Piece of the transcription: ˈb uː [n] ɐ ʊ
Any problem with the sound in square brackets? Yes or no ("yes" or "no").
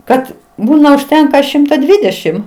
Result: no